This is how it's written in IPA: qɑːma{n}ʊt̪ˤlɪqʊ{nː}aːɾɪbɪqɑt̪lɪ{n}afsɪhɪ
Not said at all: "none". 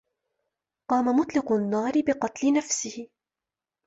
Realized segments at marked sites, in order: m, nː, n

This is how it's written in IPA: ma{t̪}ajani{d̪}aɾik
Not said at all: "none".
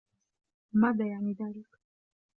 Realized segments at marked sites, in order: d̪, d̪

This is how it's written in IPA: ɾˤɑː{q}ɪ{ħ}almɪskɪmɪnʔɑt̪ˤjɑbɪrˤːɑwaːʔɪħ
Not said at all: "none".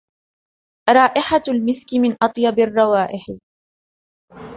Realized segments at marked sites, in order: ʔ, ħ

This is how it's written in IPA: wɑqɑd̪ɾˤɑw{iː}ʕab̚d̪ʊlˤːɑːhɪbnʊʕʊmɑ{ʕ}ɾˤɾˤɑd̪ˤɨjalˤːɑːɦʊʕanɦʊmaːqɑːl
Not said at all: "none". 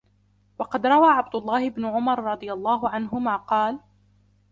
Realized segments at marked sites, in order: aː, none

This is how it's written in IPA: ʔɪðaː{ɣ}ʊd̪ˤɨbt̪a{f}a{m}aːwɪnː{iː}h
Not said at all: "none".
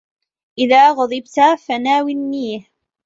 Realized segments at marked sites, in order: ɣ, f, n, iː

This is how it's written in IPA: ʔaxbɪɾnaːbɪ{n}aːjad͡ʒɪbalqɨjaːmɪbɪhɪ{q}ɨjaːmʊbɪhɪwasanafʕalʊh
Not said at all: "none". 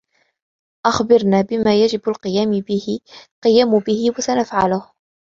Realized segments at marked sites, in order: m, q

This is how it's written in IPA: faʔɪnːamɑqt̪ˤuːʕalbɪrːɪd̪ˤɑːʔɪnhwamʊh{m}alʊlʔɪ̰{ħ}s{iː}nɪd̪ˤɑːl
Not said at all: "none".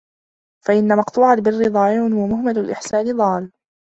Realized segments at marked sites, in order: m, ħ, aː

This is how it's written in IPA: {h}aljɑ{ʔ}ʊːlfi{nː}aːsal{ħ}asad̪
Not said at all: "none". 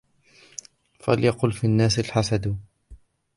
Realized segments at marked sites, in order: f, q, nː, ħ

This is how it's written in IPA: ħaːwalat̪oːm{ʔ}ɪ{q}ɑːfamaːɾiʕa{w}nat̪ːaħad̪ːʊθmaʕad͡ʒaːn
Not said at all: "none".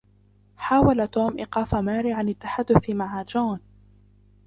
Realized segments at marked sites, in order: ʔ, q, none

